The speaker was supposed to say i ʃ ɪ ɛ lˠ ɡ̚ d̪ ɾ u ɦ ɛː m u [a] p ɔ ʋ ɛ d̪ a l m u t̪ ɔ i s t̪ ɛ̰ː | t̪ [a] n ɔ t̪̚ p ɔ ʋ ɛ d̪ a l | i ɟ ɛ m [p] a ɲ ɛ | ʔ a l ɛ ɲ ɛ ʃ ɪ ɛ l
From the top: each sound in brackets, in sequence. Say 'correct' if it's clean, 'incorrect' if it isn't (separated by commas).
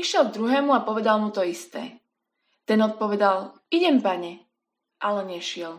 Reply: correct, incorrect, correct